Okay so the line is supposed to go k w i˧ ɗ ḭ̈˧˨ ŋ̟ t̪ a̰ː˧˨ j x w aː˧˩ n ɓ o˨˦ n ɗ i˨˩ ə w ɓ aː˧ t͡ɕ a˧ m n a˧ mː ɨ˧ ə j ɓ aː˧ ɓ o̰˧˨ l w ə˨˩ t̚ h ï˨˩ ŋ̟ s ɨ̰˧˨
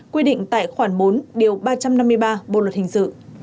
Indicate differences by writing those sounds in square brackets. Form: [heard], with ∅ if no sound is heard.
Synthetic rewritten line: k w i˧ ɗ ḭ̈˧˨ ŋ̟ t̪ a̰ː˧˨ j x w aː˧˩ n ɓ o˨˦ n ɗ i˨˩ ə w ɓ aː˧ t͡ɕ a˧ m n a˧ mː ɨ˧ ə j ɓ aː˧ ɓ o̰˧˨ l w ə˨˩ t̚ h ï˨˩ ŋ̟ s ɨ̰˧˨